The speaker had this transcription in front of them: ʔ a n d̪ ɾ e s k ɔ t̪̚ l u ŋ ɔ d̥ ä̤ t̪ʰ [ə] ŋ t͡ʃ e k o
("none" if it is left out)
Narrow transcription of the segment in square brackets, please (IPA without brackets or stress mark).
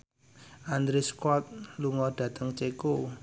ə